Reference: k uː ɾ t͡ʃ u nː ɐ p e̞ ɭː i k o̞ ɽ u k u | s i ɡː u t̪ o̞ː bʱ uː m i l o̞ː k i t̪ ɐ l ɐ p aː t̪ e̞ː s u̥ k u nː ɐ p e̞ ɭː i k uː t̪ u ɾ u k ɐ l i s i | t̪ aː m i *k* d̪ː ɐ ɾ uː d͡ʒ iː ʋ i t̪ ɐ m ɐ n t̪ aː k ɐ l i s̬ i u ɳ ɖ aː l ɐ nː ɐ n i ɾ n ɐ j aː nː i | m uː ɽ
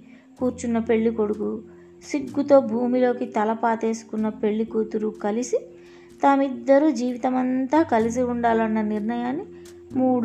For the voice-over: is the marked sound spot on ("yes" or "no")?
no